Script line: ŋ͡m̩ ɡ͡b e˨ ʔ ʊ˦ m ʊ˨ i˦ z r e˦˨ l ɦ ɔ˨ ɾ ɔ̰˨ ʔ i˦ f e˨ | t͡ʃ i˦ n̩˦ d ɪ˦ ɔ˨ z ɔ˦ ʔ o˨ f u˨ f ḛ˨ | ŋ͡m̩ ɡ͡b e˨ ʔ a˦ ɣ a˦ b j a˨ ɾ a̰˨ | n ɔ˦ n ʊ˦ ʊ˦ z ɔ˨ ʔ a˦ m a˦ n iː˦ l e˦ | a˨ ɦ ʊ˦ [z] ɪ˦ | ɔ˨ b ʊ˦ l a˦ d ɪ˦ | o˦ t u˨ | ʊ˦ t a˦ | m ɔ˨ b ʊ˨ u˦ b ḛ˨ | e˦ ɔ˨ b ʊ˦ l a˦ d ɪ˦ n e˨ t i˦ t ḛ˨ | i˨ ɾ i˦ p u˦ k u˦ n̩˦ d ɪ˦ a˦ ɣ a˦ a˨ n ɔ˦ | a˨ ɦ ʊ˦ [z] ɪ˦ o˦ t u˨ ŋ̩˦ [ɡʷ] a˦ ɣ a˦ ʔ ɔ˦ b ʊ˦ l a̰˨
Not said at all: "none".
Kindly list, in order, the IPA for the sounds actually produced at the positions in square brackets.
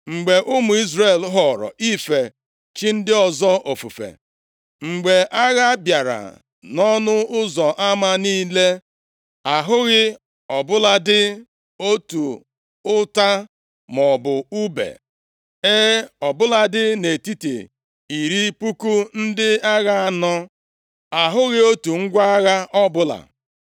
ɣ, ɣ, ɡʷ

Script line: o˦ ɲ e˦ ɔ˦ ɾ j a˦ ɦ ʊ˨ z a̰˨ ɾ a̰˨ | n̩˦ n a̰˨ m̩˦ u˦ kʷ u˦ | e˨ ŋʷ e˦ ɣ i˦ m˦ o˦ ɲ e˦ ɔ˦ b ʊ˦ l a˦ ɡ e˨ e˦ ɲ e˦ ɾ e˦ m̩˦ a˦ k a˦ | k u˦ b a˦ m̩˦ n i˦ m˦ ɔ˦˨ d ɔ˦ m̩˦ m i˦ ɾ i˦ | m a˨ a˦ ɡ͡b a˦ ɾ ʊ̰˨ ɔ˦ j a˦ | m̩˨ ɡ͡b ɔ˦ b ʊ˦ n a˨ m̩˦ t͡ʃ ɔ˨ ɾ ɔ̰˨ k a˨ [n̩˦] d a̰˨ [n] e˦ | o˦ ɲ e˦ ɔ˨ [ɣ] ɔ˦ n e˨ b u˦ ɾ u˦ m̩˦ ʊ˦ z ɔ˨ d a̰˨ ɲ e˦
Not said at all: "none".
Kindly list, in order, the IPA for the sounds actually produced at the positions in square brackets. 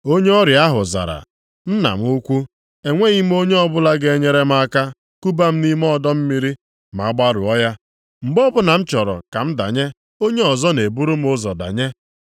m̩˦, ɲ, z

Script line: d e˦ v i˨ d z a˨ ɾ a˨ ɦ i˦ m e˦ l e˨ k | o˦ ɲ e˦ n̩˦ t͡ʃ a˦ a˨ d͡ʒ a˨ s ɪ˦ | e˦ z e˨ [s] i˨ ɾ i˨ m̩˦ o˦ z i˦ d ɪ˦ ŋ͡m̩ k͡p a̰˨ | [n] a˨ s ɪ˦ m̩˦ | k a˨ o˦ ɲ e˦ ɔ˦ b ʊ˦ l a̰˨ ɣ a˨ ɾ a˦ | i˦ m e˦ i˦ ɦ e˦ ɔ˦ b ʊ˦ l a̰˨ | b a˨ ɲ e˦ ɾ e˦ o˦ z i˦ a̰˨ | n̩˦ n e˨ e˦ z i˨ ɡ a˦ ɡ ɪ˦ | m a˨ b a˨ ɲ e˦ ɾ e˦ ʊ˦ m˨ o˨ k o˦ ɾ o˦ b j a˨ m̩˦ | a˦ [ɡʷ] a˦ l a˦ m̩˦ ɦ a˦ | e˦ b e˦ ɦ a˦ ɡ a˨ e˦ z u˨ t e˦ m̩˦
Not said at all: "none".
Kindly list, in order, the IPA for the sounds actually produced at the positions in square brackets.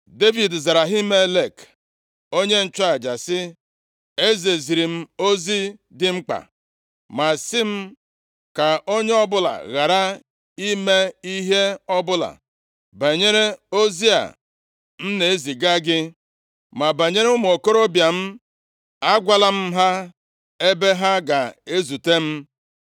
z, m, ɡʷ

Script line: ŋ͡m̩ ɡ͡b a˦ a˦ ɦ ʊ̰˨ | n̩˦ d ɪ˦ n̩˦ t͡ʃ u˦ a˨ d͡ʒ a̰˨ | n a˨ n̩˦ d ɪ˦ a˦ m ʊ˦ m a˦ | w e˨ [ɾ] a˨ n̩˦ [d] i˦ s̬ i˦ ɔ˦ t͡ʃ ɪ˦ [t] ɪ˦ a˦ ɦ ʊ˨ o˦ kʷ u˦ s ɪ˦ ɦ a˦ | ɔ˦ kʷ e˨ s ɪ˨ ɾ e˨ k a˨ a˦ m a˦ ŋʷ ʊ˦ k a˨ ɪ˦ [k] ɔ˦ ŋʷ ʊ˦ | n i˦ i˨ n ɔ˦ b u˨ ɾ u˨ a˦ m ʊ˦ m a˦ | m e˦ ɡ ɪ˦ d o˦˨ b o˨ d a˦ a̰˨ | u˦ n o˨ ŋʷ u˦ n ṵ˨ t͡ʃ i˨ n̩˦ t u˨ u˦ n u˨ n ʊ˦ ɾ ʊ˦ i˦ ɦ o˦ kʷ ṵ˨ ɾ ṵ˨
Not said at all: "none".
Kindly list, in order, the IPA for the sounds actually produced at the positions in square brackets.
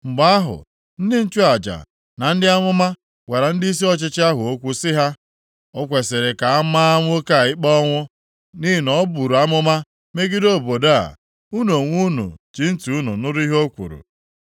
ɾ, d, t͡ʃ, k͡p

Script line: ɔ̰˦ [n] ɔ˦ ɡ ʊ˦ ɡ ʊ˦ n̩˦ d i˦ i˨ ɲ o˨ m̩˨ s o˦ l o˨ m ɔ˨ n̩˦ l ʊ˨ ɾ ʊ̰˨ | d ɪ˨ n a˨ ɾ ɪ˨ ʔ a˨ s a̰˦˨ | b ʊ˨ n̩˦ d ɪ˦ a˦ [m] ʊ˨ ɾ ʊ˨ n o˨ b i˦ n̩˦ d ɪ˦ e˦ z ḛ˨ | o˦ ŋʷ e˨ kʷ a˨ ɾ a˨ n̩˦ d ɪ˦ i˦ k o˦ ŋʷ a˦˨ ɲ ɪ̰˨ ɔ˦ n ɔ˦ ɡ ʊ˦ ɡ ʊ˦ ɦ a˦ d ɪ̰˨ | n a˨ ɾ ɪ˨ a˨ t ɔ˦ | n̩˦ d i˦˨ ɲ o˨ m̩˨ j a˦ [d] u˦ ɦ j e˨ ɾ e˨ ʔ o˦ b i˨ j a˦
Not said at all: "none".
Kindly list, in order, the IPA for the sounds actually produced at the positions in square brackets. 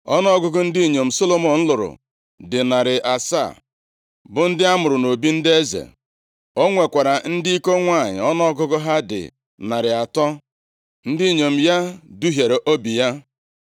n, m, d

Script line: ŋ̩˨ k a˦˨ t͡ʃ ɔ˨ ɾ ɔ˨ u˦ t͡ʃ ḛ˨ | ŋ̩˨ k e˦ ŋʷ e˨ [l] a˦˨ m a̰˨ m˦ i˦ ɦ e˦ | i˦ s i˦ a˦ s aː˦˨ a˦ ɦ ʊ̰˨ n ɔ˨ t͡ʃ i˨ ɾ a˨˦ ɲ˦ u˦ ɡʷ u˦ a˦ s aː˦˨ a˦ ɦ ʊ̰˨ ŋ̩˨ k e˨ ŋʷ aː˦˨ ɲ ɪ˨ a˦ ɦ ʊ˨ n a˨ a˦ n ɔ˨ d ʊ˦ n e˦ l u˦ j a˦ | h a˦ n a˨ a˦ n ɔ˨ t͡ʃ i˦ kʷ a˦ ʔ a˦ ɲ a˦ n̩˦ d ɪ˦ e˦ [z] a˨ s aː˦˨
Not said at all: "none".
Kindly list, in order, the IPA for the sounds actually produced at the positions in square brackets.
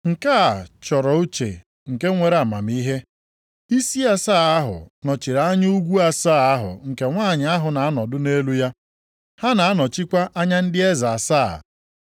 ɾ, z

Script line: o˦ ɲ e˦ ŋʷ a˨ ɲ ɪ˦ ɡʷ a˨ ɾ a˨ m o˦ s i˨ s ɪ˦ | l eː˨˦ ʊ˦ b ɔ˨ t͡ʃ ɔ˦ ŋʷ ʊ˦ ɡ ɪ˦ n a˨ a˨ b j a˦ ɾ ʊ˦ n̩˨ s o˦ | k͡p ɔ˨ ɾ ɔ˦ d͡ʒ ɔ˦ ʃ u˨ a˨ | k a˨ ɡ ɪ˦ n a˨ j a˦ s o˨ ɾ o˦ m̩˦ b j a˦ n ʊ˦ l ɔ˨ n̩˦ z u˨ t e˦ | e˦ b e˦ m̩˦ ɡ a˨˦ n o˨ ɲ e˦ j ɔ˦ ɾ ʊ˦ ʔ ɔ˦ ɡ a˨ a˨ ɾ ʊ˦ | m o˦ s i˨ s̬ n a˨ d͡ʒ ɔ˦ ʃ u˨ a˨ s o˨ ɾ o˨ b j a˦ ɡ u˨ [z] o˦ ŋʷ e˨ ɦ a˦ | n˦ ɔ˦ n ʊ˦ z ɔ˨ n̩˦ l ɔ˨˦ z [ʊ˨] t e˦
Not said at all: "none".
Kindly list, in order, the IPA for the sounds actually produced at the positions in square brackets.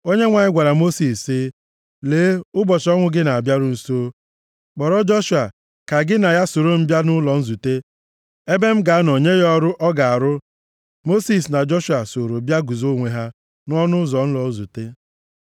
z, u˨

